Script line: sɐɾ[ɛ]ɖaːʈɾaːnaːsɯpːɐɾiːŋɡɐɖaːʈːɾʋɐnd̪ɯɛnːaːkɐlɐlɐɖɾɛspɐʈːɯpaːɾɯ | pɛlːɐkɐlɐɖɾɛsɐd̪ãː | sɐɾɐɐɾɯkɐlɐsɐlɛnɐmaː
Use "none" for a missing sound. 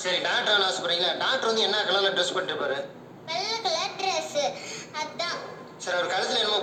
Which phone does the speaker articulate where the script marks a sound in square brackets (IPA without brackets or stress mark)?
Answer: i